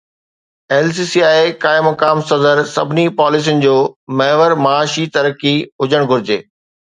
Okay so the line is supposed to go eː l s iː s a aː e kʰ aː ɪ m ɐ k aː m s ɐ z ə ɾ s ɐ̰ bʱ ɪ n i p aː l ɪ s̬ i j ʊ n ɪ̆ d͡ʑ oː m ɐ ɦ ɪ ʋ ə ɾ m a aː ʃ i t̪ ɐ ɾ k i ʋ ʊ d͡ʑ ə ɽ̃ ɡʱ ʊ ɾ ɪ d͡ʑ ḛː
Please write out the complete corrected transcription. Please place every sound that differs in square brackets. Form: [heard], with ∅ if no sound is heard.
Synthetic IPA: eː l s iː s [i] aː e [k] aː ɪ m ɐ k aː m s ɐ z ə ɾ s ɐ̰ bʱ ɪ n i p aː l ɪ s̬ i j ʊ n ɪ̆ d͡ʑ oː m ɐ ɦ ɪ ʋ ə ɾ m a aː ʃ i t̪ ɐ ɾ k i [∅] ʊ d͡ʑ ə ɽ̃ ɡʱ ʊ ɾ ɪ d͡ʑ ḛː

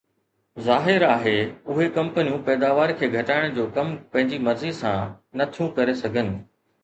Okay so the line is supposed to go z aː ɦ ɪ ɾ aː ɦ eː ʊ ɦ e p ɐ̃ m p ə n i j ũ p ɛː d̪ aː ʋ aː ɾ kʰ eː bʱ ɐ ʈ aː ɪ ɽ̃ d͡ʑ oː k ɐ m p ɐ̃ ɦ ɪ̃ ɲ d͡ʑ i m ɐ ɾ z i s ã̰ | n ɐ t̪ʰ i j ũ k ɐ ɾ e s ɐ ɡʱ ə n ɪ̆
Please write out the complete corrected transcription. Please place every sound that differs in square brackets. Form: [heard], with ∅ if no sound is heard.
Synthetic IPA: z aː ɦ ɪ ɾ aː ɦ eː ʊ ɦ e [k] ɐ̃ m p ə n i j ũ p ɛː d̪ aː ʋ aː ɾ kʰ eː [ɡʱ] ɐ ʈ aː ɪ ɽ̃ d͡ʑ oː k ɐ m p ɐ̃ ɦ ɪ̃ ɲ d͡ʑ i m ɐ ɾ z i s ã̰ | n ɐ t̪ʰ i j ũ k ɐ ɾ e s ɐ ɡʱ ə n ɪ̆

